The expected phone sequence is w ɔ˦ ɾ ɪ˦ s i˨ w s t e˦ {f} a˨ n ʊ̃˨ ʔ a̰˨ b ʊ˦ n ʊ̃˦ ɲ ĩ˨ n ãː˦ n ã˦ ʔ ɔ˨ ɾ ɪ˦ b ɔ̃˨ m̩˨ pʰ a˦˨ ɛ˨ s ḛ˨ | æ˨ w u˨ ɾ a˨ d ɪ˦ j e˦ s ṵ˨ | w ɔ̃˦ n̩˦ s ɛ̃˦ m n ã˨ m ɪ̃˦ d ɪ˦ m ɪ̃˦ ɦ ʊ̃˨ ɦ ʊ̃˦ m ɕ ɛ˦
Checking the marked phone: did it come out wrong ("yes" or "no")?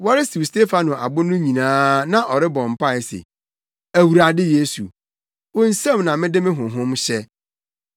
no